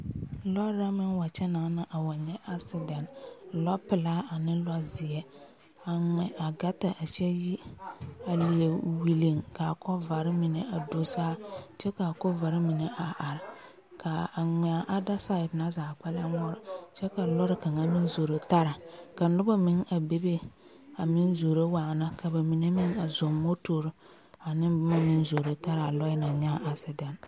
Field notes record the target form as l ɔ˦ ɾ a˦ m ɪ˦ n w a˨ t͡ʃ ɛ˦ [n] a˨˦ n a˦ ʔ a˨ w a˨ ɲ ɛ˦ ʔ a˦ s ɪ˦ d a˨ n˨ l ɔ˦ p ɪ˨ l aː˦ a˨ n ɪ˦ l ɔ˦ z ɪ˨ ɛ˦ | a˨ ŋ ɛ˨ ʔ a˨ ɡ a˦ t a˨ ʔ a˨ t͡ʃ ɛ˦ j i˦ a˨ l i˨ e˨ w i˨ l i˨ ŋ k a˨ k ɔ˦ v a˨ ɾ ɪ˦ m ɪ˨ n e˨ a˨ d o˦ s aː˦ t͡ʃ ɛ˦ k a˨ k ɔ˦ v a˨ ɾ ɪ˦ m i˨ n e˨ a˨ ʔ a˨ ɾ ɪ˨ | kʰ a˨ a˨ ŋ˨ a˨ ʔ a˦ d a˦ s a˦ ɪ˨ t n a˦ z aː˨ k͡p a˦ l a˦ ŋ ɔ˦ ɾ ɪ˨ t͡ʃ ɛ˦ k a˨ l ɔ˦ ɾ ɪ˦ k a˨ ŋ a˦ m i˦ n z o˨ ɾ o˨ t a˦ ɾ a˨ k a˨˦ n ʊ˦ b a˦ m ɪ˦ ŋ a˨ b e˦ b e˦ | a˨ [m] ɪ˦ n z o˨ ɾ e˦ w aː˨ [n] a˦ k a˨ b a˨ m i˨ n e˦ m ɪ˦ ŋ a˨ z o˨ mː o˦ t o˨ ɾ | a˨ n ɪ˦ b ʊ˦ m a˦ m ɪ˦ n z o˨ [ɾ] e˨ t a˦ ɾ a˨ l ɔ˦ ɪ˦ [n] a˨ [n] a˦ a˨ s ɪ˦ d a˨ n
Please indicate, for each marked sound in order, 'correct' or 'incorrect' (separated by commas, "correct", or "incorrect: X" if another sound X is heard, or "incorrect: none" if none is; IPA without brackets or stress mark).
correct, correct, correct, correct, correct, incorrect: ɲ